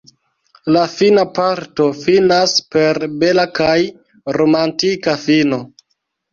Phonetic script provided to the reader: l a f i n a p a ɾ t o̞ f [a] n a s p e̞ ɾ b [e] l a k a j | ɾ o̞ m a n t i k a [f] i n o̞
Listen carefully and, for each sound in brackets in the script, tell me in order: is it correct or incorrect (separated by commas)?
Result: incorrect, correct, correct